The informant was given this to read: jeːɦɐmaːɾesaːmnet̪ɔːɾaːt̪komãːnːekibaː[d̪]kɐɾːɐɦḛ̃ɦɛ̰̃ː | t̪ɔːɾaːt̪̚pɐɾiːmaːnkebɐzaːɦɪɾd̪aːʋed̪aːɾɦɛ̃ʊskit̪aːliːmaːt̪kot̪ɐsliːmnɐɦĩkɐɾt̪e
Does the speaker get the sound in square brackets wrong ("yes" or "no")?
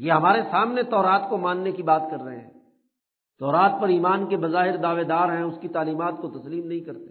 yes